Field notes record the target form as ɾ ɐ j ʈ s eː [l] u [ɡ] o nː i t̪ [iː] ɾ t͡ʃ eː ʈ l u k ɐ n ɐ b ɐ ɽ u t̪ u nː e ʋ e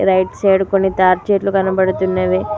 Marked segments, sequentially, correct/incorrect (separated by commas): incorrect, incorrect, incorrect